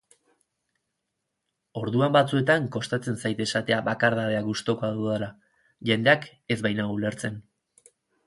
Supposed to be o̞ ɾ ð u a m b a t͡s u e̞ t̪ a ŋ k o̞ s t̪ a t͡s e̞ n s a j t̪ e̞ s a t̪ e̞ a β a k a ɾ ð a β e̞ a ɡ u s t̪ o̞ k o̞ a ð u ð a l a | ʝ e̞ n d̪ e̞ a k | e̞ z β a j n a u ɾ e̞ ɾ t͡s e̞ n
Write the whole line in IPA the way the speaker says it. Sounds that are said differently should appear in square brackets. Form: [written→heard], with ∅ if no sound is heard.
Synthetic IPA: o̞ ɾ ð u a m b a t͡s u e̞ t̪ a ŋ k o̞ s t̪ a t͡s e̞ n s a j t̪ e̞ s a t̪ e̞ a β a k a ɾ ð a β e̞ a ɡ u s t̪ o̞ k o̞ a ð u ð a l a | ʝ e̞ n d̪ e̞ a k | e̞ z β a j n a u [ɾ→l] e̞ ɾ t͡s e̞ n